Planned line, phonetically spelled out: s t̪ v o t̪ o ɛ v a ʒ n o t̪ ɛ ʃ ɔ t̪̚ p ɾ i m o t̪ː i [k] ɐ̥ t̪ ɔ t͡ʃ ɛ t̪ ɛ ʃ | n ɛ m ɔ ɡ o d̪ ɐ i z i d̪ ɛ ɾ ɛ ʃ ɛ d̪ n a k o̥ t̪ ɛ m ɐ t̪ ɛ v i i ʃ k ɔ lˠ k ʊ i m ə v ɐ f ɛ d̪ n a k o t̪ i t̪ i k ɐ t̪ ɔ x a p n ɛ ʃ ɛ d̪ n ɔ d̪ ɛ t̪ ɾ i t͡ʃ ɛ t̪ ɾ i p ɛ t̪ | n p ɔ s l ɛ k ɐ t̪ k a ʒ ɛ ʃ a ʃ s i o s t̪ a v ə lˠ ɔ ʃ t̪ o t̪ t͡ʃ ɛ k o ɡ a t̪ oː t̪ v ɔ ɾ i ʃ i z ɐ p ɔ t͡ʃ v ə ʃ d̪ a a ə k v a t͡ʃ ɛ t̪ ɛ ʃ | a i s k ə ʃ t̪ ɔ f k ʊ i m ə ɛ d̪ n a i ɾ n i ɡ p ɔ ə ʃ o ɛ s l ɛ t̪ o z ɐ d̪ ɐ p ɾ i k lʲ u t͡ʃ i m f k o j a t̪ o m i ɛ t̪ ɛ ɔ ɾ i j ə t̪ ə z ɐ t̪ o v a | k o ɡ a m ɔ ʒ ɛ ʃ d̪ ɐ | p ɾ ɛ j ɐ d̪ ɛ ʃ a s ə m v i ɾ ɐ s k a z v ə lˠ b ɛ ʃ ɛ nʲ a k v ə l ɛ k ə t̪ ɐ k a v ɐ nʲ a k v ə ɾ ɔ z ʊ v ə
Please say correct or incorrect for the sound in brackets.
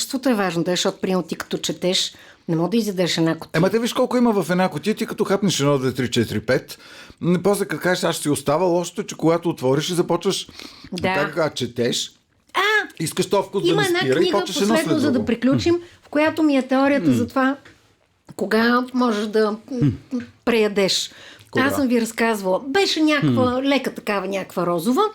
correct